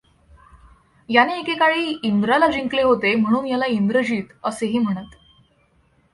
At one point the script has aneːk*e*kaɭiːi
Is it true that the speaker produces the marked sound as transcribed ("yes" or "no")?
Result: yes